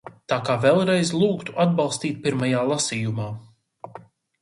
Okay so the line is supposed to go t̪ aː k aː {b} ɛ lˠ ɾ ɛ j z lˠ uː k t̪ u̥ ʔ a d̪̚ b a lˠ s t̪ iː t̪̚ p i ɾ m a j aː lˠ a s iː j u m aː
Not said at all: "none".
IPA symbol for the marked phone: v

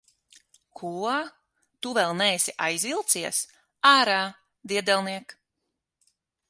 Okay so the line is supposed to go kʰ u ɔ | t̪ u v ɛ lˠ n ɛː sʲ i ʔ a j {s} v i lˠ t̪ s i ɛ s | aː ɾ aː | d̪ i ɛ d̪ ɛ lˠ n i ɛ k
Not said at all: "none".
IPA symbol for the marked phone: z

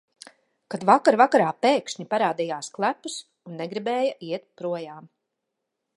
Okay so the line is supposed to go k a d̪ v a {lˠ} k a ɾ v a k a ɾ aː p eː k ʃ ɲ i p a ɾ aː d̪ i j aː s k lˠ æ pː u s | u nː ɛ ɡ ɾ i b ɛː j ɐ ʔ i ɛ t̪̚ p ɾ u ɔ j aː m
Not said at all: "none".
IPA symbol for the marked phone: none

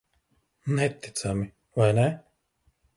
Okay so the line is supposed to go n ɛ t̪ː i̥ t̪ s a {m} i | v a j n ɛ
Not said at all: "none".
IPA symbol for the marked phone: m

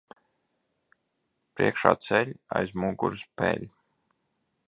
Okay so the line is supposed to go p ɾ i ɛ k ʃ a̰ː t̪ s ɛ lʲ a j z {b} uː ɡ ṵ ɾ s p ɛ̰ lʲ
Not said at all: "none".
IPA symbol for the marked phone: m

